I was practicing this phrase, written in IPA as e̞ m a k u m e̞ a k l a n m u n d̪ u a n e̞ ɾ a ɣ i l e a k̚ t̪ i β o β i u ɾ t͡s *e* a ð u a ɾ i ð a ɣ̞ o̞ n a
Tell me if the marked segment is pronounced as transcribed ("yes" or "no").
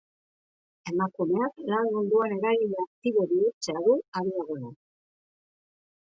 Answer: yes